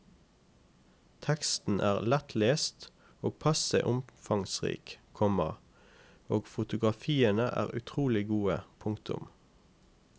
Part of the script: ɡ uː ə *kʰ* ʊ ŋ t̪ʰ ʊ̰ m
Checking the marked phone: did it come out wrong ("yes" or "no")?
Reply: yes